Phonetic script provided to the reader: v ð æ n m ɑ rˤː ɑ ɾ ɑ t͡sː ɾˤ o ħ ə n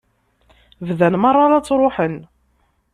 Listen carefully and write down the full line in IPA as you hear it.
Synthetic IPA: v ð æ n m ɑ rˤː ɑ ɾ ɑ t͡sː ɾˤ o ħ ə n